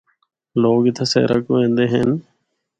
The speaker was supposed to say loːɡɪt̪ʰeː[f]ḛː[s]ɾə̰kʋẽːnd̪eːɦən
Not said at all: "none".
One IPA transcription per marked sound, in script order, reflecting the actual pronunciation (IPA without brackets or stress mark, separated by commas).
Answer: s, none